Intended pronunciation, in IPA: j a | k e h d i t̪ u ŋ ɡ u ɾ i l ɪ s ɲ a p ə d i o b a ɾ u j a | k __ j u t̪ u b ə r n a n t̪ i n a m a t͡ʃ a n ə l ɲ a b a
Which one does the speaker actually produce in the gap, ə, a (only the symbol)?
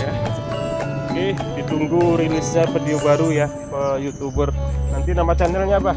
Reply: ə